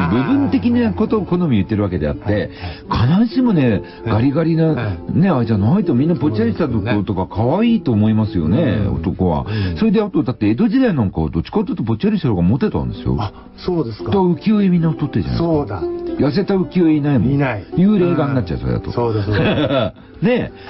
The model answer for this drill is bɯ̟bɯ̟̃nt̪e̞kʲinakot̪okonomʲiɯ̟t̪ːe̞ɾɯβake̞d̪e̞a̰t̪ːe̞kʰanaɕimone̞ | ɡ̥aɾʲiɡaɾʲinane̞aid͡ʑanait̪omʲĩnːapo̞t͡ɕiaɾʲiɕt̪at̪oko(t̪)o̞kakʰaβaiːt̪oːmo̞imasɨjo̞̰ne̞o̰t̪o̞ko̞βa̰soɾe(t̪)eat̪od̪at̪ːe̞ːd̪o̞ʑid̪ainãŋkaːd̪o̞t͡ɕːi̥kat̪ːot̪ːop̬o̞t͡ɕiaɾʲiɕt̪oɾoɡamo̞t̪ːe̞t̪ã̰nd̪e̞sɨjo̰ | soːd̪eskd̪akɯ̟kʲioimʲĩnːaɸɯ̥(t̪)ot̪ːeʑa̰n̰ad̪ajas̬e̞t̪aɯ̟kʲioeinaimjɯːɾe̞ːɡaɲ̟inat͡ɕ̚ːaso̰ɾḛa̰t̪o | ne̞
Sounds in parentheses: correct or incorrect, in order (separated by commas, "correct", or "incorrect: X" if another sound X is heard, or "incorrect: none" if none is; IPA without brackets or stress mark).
correct, incorrect: d̪, correct